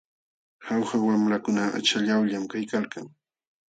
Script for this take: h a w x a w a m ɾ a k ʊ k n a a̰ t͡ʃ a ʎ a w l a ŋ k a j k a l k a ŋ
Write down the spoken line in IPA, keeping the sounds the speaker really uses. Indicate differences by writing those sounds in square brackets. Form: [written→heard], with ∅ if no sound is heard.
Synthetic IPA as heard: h a w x a w a m ɾ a k ʊ [k→∅] n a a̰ t͡ʃ a ʎ a w [l→ʎ] a [ŋ→m] k a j k a l k a ŋ